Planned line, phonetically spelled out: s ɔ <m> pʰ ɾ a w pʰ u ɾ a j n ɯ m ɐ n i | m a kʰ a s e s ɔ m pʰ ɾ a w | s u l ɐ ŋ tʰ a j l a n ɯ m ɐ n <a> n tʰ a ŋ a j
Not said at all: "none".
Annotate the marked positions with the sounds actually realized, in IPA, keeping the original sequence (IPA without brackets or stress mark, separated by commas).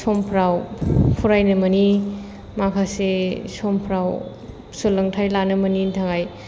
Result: m, i